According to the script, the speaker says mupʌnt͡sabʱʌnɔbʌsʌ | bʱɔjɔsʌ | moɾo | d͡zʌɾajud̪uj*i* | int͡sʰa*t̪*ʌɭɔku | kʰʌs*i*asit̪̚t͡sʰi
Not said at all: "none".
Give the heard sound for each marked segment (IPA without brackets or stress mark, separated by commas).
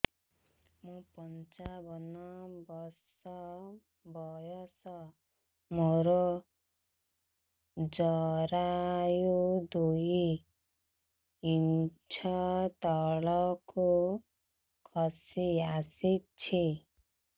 i, t̪, i